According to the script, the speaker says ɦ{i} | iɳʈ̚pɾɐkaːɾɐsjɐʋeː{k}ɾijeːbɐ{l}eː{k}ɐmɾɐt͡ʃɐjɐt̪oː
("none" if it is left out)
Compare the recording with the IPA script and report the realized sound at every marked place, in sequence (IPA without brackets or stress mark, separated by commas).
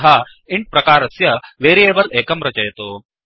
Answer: a, none, l, k